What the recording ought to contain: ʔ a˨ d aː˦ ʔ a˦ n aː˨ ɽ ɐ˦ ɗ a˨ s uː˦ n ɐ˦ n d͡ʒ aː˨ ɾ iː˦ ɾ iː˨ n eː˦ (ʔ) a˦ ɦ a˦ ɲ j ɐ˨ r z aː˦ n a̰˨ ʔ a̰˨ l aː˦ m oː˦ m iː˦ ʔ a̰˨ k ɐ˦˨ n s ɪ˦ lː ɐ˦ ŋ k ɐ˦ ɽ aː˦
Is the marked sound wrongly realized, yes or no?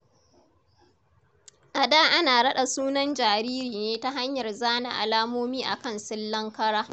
yes